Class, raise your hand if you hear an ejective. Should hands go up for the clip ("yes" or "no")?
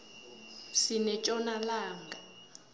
yes